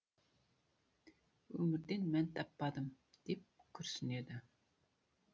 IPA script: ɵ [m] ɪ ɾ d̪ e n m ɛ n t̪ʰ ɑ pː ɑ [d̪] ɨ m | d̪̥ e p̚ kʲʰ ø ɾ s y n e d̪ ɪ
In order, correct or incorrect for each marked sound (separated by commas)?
correct, correct